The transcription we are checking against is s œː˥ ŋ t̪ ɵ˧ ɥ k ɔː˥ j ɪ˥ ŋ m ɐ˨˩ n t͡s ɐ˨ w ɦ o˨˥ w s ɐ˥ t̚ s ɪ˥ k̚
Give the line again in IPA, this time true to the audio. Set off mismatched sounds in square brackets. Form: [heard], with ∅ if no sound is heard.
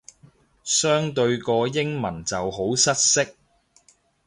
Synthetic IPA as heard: s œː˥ ŋ t̪ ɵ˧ ɥ k [ɔː˧] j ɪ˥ ŋ m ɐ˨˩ n t͡s ɐ˨ w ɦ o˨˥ w s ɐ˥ t̚ s ɪ˥ k̚